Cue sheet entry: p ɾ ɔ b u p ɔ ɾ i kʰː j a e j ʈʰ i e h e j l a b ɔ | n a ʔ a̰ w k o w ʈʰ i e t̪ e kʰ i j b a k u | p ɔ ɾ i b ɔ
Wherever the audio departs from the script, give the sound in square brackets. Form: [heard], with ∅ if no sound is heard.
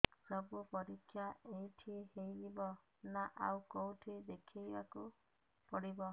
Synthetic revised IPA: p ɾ ɔ b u p ɔ ɾ i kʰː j a e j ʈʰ i e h e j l [i] b ɔ | n a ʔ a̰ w k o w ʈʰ i e [d̪] e kʰ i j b a k u | p ɔ [ɽ] i b ɔ